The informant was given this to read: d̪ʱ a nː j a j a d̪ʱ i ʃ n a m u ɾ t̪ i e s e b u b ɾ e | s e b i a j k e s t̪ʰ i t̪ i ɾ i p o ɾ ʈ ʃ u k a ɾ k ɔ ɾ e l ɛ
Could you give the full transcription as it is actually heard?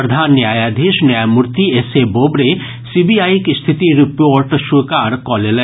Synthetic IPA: d̪ʱ a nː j a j a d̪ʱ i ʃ n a m u ɾ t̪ i e s e b o b ɾ e | s i b i a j k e s t̪ʰ i t̪ i ɾ i p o ɾ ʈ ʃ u k a ɾ k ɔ l e l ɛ